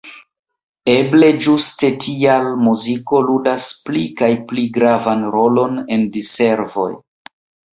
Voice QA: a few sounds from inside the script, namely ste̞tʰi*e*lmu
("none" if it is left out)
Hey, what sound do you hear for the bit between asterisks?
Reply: a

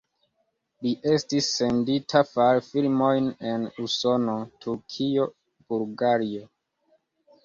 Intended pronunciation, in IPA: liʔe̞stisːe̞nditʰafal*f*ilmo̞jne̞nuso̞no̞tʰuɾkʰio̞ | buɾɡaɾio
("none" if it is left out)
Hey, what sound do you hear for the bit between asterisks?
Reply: f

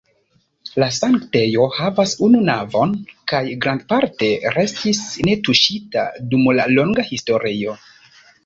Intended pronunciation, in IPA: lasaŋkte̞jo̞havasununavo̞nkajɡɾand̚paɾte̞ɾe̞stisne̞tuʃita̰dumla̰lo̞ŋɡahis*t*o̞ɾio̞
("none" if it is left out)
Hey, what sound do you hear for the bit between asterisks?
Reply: t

